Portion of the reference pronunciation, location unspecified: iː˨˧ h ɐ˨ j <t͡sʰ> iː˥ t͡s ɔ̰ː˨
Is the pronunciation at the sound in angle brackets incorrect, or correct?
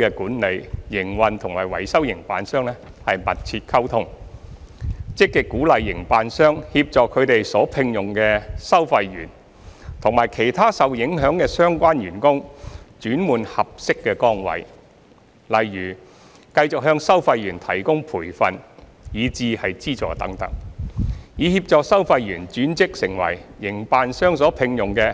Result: incorrect